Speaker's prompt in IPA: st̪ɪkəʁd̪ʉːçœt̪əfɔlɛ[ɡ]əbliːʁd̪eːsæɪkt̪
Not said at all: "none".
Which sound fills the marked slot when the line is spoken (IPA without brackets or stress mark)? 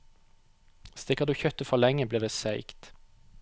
ŋ